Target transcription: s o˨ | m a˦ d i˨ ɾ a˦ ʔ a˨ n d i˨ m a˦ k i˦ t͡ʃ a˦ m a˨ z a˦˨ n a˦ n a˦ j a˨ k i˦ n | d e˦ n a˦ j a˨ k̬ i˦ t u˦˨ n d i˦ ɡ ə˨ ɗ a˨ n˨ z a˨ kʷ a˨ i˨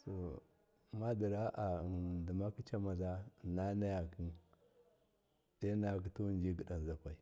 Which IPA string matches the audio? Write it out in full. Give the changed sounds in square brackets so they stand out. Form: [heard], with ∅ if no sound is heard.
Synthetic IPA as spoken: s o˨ | m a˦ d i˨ ɾ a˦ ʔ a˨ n d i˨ m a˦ k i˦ t͡ʃ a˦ m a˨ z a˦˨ n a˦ n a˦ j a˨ k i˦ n | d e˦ n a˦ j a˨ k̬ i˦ t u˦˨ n [d͡ʒ] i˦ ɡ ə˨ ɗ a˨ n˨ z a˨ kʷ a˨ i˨